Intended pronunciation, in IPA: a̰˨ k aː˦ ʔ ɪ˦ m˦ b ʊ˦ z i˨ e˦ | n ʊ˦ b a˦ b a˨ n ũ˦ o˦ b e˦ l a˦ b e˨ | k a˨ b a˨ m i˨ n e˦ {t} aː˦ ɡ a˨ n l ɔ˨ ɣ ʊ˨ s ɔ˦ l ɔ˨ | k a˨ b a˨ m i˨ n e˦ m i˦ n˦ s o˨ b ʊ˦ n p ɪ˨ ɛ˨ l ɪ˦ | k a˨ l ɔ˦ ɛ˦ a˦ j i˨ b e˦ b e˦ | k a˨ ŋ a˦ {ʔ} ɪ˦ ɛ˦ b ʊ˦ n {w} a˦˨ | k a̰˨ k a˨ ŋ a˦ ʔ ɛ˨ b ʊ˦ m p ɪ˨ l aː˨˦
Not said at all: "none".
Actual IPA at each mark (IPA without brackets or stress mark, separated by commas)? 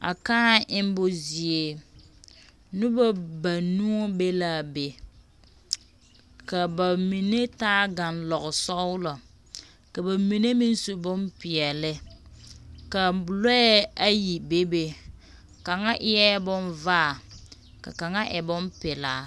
t, ʔ, v